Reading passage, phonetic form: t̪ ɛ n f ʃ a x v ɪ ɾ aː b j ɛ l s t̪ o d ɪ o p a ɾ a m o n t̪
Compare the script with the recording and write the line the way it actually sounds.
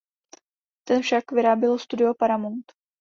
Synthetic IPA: t̪ ɛ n f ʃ a k v ɪ ɾ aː b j ɛ l s t̪ u d ɪ o p a ɾ a m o n t̪